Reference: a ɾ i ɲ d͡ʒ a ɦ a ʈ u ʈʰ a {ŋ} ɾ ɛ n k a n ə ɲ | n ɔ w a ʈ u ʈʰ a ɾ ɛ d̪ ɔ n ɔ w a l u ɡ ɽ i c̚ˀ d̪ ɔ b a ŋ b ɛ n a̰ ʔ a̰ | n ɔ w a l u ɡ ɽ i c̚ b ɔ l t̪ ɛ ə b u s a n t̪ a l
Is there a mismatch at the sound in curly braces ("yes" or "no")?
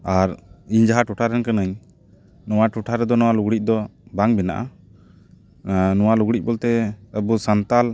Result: yes